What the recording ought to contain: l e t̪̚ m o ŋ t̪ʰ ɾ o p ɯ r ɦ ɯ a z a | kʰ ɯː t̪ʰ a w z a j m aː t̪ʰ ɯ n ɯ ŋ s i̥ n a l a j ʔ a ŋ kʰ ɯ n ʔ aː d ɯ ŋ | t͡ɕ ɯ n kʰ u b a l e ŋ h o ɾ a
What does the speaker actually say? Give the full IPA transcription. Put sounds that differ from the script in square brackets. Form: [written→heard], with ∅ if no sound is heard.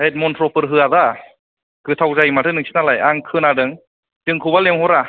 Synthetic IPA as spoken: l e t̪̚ m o [ŋ→n] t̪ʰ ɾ o p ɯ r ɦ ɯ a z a | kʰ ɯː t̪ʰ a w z a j m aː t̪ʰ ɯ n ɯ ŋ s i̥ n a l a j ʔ a ŋ kʰ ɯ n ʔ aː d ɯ ŋ | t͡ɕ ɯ [n→ŋ] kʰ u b a l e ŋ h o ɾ a